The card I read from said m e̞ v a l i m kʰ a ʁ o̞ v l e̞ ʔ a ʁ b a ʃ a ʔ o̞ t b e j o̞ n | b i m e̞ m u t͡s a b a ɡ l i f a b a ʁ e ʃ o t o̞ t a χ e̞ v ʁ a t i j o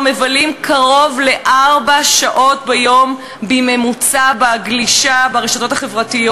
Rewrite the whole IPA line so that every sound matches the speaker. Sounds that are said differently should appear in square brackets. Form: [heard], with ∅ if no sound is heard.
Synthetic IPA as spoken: m e̞ v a l i m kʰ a ʁ o̞ v l e̞ ʔ a ʁ b a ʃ a ʔ o̞ t b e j o̞ [m] | b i m e̞ m u t͡s a b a ɡ l i [ʃ] a b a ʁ e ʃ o t o̞ t a χ e̞ v ʁ a t i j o